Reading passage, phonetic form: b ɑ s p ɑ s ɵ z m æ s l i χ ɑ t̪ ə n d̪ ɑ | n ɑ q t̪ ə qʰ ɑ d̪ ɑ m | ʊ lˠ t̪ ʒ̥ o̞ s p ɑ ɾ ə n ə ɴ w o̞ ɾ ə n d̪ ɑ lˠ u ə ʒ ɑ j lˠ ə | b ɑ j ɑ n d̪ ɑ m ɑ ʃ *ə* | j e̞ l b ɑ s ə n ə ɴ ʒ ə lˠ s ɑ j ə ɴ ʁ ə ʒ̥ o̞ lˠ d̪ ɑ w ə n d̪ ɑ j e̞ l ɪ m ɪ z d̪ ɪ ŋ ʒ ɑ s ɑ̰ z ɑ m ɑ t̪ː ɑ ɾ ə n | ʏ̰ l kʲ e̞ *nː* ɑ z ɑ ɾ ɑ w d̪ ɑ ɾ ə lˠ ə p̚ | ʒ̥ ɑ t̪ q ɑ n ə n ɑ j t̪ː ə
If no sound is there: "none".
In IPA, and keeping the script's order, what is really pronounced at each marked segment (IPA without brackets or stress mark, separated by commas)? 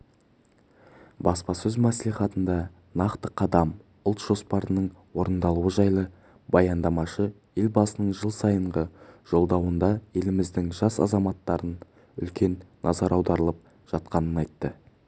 ə, nː